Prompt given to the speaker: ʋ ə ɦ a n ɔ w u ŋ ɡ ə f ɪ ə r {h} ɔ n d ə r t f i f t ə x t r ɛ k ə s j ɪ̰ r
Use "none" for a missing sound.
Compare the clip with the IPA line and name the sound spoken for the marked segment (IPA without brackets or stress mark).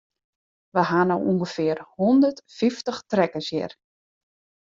h